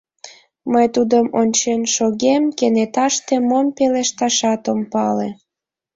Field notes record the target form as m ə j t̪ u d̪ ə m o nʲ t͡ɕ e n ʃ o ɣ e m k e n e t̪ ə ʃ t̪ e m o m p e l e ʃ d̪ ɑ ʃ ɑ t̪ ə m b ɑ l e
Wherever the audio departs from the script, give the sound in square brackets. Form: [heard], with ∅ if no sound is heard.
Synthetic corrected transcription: m ə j t̪ u d̪ ə m o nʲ t͡ɕ e n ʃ o ɣ e m k e n e t̪ [ɑ] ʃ t̪ e m o m p e l e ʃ [t̪] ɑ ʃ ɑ t̪ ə m [p] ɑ l e